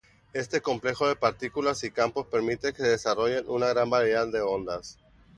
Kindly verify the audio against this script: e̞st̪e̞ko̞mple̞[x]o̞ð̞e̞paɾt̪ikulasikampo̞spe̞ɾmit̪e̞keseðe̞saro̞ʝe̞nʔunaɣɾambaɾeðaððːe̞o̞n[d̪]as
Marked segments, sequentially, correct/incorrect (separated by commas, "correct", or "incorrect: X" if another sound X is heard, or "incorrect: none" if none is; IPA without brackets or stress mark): correct, correct